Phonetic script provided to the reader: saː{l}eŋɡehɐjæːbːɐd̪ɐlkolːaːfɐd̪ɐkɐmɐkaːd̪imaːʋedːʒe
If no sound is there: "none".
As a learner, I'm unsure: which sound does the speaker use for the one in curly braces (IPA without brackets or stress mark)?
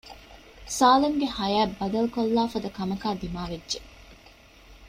l